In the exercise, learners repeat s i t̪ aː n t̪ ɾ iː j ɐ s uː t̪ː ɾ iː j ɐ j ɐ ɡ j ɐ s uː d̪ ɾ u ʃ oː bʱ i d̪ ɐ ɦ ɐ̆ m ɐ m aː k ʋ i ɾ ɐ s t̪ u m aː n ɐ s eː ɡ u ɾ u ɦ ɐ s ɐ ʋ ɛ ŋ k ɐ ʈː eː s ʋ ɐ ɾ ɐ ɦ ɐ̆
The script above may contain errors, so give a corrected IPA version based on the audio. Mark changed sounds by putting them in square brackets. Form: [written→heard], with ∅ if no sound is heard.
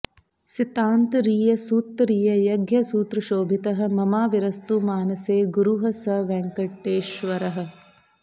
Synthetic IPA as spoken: s i t̪ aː n t̪ ɾ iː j ɐ s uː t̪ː ɾ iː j ɐ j ɐ ɡ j ɐ s uː [d̪→t̪] ɾ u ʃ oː bʱ i [d̪→t̪] ɐ ɦ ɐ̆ m ɐ m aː [k→∅] ʋ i ɾ ɐ s t̪ u m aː n ɐ s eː ɡ u ɾ u ɦ ɐ s ɐ ʋ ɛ ŋ k ɐ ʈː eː [s→ʃ] ʋ ɐ ɾ ɐ ɦ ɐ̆